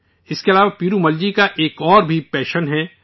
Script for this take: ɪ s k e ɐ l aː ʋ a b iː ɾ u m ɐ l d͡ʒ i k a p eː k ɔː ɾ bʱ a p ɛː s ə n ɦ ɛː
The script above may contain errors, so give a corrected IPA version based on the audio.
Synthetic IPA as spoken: ɪ s k e ɐ l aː ʋ a p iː ɾ u m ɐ l d͡ʒ i k a ʔ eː k ɔː ɾ bʱ i p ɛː ʃ ə n ɦ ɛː